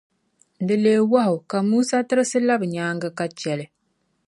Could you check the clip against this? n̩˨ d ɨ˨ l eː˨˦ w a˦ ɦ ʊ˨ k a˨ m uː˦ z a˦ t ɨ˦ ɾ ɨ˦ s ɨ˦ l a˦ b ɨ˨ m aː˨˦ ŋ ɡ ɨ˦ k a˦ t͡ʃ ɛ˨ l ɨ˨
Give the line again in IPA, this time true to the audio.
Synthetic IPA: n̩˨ d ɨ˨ l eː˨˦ w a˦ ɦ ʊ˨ k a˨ m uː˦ s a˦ t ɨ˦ ɾ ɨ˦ s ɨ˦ l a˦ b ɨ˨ ɲ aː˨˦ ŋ ɡ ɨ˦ k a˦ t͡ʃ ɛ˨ l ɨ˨

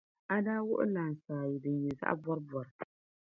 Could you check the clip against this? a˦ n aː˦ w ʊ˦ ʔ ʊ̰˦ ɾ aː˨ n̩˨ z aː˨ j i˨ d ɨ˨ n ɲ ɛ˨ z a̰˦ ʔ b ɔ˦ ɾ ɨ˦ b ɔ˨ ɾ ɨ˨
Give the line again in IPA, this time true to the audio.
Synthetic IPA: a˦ d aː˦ w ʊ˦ ʔ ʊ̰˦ l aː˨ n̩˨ s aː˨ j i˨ d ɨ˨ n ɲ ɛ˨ z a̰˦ ʔ b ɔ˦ ɾ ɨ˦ b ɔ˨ ɾ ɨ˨

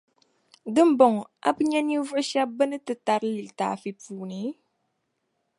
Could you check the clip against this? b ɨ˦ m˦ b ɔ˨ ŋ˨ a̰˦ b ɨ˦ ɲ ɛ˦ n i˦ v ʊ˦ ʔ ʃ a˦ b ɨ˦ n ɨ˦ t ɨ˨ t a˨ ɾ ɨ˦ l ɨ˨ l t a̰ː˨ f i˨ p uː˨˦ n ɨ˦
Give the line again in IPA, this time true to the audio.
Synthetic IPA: d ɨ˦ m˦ b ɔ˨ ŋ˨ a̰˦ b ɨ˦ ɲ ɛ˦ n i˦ v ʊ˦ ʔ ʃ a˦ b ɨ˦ n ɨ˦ t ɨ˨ t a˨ ɾ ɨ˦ l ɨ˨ l t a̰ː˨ f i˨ p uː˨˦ n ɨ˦

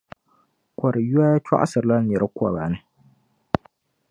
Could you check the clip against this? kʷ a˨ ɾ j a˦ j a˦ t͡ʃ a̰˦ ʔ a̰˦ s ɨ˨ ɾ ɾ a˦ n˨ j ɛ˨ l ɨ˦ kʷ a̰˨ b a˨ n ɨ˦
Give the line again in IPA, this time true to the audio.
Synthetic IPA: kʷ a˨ ɾ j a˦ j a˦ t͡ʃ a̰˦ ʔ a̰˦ s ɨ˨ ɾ l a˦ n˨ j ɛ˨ ɾ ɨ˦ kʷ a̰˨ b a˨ n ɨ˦

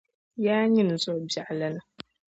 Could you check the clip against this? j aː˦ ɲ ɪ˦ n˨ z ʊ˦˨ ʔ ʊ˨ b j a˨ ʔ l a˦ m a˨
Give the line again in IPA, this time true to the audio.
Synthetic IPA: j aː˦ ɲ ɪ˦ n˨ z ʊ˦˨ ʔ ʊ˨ b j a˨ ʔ l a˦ n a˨

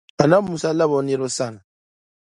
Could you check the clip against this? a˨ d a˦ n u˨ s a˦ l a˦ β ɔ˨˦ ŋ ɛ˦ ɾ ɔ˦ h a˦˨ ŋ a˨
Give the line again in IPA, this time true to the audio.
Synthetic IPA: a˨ n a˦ m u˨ s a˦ l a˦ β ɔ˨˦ n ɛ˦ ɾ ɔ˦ s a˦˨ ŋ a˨

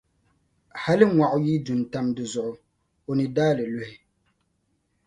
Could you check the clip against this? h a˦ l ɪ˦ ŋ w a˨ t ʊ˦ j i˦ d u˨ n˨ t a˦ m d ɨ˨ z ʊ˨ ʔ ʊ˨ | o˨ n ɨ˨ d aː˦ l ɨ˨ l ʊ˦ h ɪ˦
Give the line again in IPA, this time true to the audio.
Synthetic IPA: h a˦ l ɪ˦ ŋ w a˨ ʔ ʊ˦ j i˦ d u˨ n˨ t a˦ m d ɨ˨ z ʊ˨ ʔ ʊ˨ | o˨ n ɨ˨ d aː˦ l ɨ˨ l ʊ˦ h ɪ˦

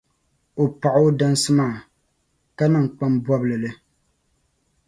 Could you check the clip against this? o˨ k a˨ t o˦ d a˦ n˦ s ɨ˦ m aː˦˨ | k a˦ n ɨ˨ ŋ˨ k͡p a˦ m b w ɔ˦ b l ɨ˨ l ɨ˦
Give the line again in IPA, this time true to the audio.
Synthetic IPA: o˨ p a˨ ʔ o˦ d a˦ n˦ s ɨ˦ m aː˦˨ | k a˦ n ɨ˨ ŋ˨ k͡p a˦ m b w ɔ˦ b l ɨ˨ l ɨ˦

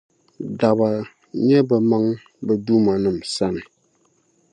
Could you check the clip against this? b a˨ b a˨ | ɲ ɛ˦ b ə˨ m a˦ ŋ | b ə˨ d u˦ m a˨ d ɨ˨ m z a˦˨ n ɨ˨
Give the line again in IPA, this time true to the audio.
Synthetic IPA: d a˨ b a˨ | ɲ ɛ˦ b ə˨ m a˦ ŋ | b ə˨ d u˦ m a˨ n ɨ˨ m s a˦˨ n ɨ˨

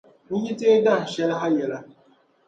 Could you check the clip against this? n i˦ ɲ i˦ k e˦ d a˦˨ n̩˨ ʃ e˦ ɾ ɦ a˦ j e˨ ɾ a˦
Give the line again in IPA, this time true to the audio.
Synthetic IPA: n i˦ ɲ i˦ t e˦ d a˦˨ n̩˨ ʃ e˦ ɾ ɦ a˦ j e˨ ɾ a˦

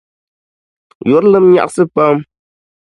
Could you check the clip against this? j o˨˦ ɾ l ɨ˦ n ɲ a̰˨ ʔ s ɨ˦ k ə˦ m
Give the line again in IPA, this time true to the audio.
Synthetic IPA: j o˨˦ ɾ l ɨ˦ m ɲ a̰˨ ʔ s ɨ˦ p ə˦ m

